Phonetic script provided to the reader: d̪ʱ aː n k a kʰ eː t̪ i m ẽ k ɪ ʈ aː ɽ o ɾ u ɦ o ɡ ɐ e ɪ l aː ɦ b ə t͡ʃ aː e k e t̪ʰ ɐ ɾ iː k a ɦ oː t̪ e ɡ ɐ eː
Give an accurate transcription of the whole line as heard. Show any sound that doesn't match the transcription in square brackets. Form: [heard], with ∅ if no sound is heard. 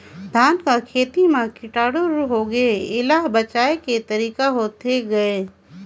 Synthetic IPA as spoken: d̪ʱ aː n k a kʰ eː t̪ i m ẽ k ɪ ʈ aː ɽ o ɾ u ɦ o ɡ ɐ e ɪ l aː ɦ b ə t͡ʃ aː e k e [t̪] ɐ ɾ iː k a ɦ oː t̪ e ɡ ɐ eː